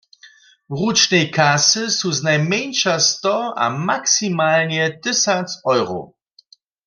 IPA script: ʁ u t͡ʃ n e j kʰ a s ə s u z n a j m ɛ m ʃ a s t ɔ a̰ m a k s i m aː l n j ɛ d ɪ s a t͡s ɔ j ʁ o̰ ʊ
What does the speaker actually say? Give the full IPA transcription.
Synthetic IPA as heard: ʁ u t͡ʃ n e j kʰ a s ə s u z n a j m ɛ n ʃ a s t ɔ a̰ m a k s i m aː l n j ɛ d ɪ s a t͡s ɔ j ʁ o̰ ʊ